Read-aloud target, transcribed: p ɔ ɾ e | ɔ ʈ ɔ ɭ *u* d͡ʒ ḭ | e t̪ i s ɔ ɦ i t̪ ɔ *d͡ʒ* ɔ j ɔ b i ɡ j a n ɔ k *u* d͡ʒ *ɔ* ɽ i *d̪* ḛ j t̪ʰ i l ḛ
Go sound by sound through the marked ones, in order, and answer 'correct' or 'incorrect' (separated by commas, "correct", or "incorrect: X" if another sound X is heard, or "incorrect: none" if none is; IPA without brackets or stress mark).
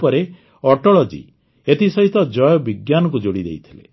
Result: incorrect: ɔ, correct, correct, incorrect: o, correct